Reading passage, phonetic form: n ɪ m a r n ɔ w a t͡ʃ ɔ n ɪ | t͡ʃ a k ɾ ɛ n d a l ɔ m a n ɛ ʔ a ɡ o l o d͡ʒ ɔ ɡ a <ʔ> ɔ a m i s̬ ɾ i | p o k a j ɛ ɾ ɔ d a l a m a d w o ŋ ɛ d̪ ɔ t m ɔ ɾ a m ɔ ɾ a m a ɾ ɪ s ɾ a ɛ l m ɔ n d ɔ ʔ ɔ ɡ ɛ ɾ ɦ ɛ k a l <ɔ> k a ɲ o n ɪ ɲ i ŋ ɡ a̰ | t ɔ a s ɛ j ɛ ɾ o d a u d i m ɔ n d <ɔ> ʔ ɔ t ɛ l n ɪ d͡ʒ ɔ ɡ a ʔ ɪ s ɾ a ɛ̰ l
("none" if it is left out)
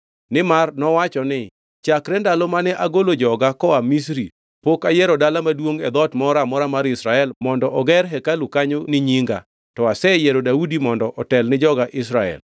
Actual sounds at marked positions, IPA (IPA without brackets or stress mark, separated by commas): k, u, ɔ